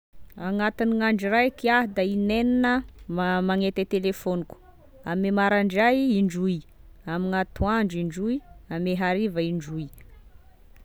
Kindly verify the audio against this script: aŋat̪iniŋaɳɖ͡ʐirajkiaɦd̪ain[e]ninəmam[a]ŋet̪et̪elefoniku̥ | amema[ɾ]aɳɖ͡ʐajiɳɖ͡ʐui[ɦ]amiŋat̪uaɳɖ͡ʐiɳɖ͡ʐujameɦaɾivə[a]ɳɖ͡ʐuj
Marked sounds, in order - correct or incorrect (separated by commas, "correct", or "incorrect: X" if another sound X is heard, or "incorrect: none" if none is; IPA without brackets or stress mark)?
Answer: correct, correct, correct, incorrect: none, incorrect: i